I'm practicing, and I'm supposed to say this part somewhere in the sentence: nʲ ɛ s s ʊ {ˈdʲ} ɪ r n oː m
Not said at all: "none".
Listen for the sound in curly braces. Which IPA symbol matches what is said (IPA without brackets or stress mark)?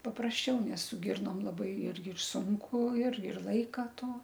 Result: ɡʲ